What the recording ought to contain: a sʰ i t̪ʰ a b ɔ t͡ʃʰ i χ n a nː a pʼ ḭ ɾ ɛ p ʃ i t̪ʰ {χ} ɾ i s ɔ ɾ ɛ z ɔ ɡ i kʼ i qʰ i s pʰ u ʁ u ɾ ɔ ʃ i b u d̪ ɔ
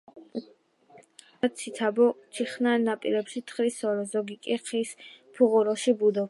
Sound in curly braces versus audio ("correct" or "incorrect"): correct